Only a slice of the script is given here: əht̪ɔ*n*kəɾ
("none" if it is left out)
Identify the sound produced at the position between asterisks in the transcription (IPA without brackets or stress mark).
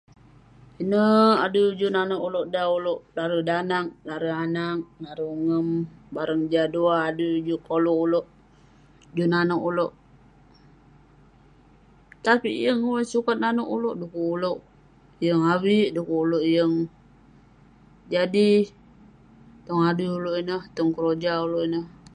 ŋ